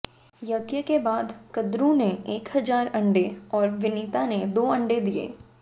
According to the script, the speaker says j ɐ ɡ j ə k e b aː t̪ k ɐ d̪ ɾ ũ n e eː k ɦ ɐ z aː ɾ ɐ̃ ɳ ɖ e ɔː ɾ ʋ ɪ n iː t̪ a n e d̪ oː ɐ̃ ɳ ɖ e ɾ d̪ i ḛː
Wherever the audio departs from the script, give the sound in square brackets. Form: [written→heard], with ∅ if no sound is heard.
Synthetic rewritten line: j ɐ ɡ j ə k e b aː [t̪→d̪] k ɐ d̪ ɾ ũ n e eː k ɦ ɐ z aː ɾ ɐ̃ ɳ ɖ e ɔː ɾ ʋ ɪ n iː t̪ a n e d̪ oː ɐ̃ ɳ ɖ e [ɾ→∅] d̪ i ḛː

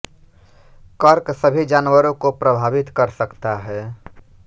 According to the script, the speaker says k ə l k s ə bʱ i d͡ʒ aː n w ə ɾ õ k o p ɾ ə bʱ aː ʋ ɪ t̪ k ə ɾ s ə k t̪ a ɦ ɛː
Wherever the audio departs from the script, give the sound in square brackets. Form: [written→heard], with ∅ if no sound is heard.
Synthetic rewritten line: k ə [l→ɾ] k s ə bʱ i d͡ʒ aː n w ə ɾ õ k o p ɾ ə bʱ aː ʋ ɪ t̪ k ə ɾ s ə k t̪ a ɦ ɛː

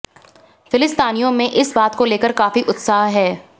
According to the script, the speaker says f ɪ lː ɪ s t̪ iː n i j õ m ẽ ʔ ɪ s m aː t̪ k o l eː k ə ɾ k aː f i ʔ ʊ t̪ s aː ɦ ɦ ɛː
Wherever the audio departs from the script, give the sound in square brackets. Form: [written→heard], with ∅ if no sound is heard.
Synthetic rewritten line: f ɪ [lː→l] ɪ s t̪ [iː→aː] n i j õ m ẽ ʔ ɪ s [m→b] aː t̪ k o l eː k ə ɾ k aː f i ʔ ʊ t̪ s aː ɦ ɦ ɛː

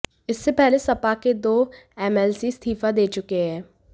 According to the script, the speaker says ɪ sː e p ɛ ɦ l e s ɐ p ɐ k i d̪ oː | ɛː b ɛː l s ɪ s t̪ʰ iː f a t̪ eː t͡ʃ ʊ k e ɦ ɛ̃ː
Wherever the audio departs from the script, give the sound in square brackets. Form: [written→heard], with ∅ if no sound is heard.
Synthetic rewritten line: ɪ sː e p ɛ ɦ l e s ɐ p [ɐ→a] k [i→e] d̪ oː | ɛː [b→m] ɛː l s [ɪ→i] s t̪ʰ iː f a [t̪→d̪] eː t͡ʃ ʊ k e ɦ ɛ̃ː

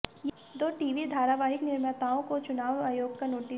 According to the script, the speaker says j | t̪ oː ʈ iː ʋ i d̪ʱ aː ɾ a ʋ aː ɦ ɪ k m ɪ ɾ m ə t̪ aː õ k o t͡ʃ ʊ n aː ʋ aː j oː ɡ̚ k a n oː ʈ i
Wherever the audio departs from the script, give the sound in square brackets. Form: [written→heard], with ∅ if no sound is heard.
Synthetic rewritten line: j | [t̪→d̪] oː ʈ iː ʋ i d̪ʱ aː ɾ a ʋ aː ɦ ɪ k [m→n] ɪ ɾ m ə t̪ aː õ k o t͡ʃ ʊ n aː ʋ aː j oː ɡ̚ k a n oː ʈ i

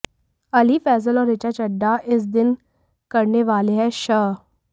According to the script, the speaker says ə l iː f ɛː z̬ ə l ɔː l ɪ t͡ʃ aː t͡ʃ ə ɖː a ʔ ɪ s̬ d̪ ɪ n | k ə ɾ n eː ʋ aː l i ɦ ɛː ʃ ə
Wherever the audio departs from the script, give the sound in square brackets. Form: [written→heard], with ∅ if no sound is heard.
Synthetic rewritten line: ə l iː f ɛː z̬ ə l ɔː [l→ɾ] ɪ t͡ʃ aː t͡ʃ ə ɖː a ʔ ɪ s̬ d̪ ɪ n | k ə ɾ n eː ʋ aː l [i→e] ɦ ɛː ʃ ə

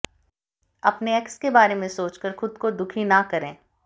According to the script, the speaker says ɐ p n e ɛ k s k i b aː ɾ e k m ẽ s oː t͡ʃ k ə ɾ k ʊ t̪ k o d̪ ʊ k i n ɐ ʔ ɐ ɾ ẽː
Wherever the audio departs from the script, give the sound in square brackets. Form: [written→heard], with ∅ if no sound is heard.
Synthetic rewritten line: ɐ p n e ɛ k s k [i→e] b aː ɾ e [k→∅] m ẽ s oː t͡ʃ k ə ɾ [k→x] ʊ [t̪→d̪] k o d̪ ʊ [k→kʰ] i n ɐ [ʔ→k] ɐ ɾ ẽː

